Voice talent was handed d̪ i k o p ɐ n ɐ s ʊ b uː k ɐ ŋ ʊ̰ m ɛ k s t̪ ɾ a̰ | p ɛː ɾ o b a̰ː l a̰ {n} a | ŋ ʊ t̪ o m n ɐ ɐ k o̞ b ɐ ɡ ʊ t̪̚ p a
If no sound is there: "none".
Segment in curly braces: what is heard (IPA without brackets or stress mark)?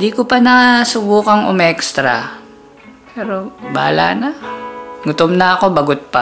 n